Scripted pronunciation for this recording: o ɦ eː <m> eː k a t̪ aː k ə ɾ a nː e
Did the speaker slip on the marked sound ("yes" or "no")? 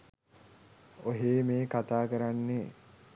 no